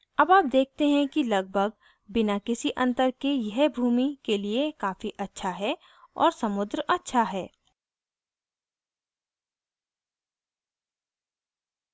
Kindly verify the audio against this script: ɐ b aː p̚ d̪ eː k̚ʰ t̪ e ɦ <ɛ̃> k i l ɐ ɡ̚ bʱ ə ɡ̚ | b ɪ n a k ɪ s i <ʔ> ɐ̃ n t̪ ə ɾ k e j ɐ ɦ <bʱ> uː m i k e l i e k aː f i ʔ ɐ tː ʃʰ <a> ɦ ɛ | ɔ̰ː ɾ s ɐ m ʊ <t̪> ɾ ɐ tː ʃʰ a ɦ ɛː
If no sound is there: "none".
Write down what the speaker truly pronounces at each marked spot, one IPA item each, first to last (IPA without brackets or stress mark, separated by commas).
ɛ̃, ʔ, bʱ, a, d̪